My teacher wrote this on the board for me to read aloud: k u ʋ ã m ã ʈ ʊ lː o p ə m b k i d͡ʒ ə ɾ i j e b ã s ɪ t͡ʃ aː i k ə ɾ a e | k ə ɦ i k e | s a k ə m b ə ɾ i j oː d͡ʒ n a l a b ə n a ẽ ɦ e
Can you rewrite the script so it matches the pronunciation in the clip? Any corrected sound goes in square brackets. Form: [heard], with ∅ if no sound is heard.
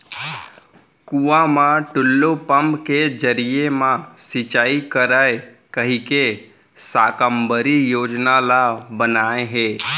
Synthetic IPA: k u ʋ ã m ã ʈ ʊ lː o p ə m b k [e] d͡ʒ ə ɾ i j e [m] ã s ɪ t͡ʃ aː i k ə ɾ a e | k ə ɦ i k e | s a k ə m b ə ɾ i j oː d͡ʒ n a l a b ə n a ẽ ɦ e